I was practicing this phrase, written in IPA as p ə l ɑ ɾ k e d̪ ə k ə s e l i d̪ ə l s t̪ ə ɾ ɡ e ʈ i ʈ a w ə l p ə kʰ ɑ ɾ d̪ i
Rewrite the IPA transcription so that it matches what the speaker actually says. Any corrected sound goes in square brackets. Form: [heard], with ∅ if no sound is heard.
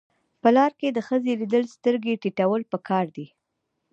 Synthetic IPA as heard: p ə l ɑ ɾ k e d̪ ə [x] ə [z] e l i d̪ ə l s t̪ ə ɾ ɡ e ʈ i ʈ a w ə l p ə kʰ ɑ ɾ d̪ i